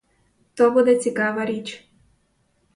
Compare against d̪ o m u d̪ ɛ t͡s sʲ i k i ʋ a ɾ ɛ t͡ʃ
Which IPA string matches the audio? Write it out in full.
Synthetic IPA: t̪ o b u d̪ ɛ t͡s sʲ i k a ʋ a ɾ i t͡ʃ